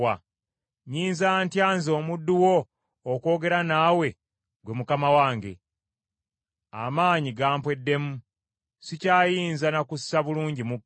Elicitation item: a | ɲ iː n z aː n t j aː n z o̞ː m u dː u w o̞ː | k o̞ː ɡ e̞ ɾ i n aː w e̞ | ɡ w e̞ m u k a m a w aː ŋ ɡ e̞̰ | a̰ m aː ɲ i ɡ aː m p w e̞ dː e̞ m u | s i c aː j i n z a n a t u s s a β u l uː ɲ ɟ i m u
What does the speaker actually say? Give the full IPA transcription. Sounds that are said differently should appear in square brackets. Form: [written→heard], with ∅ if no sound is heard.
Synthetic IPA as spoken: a | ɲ iː n z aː n t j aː n z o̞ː m u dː u w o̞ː | k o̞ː ɡ e̞ ɾ [i→a] n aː w e̞ | ɡ w e̞ m u k a m a w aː ŋ ɡ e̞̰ | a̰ m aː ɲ i ɡ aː m p w e̞ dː e̞ m u | s i c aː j [i→iː] n z a n a [t→k] u s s a β u l uː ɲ ɟ i m u